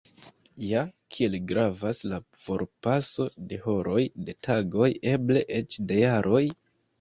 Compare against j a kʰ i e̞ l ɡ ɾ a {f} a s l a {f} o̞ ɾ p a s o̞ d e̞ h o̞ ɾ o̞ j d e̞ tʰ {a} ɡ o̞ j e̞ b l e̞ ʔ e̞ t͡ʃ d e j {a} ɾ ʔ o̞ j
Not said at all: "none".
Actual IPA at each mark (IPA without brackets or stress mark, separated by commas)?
v, f, a, a